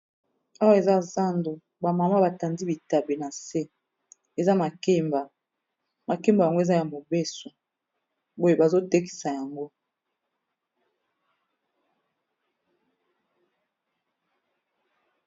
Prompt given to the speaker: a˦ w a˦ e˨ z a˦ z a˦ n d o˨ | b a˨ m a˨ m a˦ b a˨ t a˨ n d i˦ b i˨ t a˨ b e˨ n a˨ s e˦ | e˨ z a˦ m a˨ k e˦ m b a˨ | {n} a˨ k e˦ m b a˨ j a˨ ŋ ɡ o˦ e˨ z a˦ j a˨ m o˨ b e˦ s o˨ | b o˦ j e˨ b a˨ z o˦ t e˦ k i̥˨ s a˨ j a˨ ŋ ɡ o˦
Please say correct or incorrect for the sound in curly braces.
incorrect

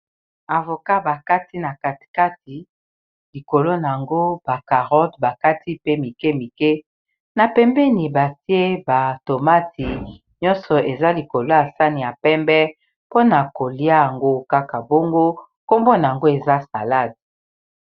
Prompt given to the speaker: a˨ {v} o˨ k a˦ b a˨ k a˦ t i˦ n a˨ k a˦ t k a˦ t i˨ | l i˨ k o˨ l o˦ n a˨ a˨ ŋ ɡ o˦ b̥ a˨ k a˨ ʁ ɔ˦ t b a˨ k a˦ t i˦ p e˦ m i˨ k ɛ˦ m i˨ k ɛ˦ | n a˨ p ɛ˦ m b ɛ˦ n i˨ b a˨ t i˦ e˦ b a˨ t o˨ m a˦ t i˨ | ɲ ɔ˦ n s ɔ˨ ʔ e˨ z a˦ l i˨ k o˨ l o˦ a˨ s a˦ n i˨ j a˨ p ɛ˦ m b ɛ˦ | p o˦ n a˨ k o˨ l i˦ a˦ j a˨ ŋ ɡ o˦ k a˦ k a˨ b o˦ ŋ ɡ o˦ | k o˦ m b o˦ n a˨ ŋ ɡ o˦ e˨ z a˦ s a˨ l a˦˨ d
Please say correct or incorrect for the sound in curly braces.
correct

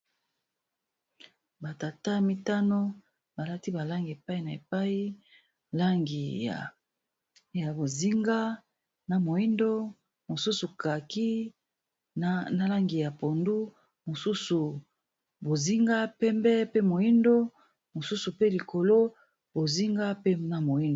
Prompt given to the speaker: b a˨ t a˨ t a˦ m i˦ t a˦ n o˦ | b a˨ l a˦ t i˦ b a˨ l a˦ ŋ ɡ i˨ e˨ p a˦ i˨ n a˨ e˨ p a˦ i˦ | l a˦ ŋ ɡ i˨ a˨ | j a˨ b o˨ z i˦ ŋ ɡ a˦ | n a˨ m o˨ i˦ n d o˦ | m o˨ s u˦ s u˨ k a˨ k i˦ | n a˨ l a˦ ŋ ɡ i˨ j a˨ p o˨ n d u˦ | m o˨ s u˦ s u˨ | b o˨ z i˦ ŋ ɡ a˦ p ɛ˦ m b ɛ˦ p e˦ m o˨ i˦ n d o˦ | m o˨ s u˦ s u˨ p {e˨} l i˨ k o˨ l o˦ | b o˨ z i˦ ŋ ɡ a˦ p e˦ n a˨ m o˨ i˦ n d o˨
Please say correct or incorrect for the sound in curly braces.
incorrect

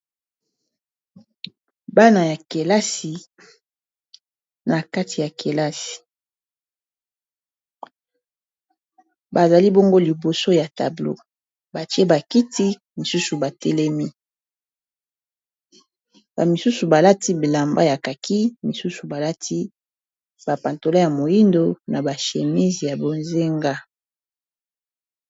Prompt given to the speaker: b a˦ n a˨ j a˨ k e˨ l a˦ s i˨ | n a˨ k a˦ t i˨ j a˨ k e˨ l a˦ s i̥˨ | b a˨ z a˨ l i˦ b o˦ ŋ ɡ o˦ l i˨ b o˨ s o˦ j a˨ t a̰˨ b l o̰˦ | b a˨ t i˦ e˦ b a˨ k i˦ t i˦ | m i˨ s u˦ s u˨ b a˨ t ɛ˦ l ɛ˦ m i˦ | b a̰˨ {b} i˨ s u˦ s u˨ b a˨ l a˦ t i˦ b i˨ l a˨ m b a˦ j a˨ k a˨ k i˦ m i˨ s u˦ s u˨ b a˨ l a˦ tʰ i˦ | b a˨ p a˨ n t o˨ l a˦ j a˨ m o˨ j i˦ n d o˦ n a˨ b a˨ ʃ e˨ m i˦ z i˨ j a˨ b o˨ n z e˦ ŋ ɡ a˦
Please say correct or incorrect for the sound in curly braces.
incorrect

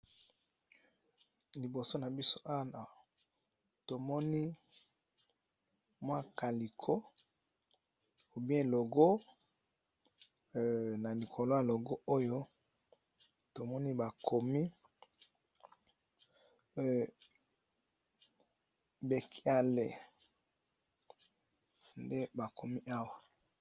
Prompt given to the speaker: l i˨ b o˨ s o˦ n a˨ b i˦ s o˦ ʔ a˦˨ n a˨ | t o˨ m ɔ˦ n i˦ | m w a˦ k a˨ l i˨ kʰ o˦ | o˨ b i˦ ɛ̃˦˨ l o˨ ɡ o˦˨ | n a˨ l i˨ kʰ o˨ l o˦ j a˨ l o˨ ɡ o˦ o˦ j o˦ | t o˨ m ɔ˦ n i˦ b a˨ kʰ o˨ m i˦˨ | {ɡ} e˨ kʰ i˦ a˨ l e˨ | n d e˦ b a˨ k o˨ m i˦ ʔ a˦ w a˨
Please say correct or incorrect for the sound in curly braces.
incorrect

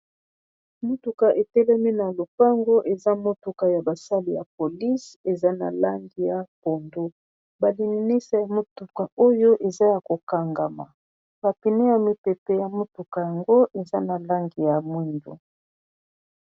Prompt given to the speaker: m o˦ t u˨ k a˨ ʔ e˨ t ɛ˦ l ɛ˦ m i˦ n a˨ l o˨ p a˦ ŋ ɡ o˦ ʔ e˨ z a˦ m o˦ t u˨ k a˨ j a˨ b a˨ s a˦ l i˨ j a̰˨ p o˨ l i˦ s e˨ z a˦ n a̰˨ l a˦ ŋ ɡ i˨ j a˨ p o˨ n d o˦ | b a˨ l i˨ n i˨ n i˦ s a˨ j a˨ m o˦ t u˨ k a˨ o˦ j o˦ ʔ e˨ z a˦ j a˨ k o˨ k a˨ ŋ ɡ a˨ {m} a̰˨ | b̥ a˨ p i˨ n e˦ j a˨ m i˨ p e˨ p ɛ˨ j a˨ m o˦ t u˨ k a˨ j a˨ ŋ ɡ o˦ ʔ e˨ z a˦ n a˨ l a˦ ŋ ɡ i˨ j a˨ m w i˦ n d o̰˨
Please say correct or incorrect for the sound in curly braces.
correct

